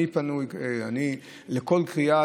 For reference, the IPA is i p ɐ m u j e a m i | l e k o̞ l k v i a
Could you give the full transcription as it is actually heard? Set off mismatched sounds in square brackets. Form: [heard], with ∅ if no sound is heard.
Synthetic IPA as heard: i p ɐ [n] u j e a [n] i | l e k o̞ l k [ʁ] i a